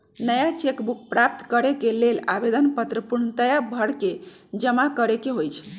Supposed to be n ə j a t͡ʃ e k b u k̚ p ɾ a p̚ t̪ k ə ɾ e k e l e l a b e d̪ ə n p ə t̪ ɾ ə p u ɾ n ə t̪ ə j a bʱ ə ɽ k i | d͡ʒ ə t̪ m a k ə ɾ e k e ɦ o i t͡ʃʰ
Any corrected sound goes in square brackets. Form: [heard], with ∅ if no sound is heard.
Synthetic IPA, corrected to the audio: n ə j a t͡ʃ e k b u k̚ p ɾ a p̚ t̪ k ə ɾ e k e l e l a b e d̪ ə n p ə t̪ ɾ ə p u ɾ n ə t̪ ə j a bʱ ə ɽ k [e] | d͡ʒ ə [∅] m a k ə ɾ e k e ɦ o [j] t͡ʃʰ

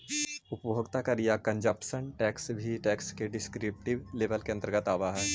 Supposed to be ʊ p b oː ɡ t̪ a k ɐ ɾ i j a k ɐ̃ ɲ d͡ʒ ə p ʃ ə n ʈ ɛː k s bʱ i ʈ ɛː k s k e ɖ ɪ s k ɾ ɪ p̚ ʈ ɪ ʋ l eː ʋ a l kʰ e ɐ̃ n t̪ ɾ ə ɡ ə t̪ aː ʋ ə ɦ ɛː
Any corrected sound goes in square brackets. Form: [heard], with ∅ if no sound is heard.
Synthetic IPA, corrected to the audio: ʊ p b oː ɡ t̪ a k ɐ ɾ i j a k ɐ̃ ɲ d͡ʒ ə p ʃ ə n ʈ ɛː k s bʱ i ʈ ɛː k s k e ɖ ɪ s k ɾ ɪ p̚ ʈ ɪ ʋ l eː ʋ [ə] l [k] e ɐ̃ n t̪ ɾ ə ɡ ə t̪ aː ʋ [a] ɦ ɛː

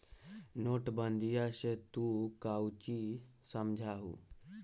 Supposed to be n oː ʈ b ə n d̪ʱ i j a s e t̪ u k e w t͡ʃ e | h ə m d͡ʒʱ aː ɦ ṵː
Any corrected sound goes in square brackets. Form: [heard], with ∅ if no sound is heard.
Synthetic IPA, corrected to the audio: n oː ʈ b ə n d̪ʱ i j a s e t̪ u k [a] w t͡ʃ [i] | [s] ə m d͡ʒʱ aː ɦ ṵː

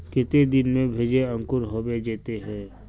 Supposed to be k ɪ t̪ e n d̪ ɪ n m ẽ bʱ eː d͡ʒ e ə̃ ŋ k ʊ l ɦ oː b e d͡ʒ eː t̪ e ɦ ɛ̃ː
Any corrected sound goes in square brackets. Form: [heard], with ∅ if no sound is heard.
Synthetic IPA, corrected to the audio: k ɪ t̪ e [∅] d̪ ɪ n m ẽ bʱ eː d͡ʒ e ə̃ ŋ k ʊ [ɾ] ɦ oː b e d͡ʒ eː t̪ e ɦ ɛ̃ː

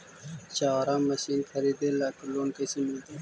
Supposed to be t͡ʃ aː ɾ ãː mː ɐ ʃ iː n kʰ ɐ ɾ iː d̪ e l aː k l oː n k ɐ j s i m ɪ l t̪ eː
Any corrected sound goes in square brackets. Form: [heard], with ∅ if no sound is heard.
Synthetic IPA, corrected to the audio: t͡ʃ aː ɾ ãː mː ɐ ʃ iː n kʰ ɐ ɾ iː d̪ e l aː k l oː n k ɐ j s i m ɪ l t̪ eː

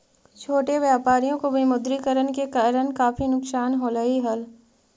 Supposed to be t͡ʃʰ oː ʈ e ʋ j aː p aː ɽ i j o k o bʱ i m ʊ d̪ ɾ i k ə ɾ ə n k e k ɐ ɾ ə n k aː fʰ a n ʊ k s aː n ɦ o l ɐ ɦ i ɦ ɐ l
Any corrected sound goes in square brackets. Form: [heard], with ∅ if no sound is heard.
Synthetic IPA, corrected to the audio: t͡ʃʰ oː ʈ e ʋ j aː p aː [ɾ] i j [õ] k o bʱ i m ʊ d̪ ɾ i k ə ɾ ə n k e k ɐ ɾ ə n k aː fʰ [i] n ʊ k s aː n ɦ o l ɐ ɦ i ɦ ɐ l

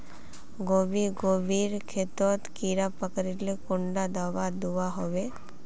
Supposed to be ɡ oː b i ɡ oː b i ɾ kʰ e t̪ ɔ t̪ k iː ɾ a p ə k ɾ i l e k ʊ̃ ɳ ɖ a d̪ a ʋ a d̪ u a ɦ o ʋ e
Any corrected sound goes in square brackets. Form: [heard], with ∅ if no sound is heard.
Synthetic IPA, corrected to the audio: ɡ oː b i ɡ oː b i ɾ kʰ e t̪ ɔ t̪ k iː ɾ a p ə k ɾ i l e k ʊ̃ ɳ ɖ a d̪ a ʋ a d̪ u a ɦ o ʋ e

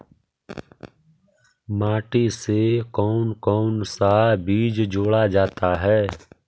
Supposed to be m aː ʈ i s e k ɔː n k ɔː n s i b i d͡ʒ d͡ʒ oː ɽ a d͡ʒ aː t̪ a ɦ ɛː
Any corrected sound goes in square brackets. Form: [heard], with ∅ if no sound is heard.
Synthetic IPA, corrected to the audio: m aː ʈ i s e k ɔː n k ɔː n s [a] b [iː] d͡ʒ d͡ʒ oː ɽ a d͡ʒ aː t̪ a ɦ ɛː

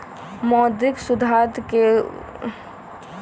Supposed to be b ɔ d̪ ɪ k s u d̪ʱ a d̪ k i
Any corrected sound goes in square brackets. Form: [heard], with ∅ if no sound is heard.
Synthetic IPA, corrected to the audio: [m] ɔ d̪ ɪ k s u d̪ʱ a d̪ k [e]

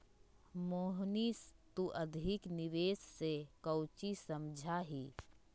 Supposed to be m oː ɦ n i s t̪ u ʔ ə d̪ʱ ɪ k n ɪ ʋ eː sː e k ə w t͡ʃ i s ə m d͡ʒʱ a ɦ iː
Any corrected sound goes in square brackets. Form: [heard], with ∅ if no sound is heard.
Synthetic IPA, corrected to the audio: m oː ɦ n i s t̪ u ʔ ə d̪ʱ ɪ k n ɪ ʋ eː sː e k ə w t͡ʃ i s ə m d͡ʒʱ a ɦ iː

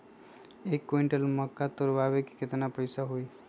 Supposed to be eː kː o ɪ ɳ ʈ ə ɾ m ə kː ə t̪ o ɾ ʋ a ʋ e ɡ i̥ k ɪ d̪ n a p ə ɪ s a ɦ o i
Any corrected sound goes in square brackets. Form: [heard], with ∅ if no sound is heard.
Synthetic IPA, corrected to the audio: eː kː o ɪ ɳ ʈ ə [l] m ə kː [a] t̪ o ɾ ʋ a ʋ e [k] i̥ k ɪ [t̪] n a p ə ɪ s a ɦ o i

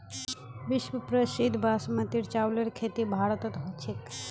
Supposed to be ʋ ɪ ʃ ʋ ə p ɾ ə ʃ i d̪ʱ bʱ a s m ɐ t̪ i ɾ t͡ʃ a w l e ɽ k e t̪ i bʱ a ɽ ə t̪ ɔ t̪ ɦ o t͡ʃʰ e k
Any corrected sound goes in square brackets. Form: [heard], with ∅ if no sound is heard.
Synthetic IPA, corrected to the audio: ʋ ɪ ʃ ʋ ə p ɾ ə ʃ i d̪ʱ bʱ a s m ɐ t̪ i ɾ t͡ʃ a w l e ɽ [kʰ] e t̪ i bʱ a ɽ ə t̪ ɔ t̪ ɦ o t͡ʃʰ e k

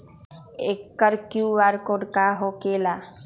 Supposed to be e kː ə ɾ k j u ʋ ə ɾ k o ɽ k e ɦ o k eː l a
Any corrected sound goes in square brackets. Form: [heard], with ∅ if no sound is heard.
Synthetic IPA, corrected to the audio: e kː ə ɾ k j u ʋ [a] ɾ k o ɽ k [a] ɦ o k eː l a

